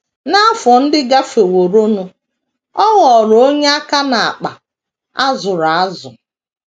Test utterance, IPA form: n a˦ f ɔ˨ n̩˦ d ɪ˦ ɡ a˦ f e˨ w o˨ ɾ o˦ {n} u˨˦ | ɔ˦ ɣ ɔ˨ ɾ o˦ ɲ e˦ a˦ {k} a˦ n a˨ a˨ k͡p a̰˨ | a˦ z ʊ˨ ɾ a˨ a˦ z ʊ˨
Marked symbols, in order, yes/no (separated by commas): yes, yes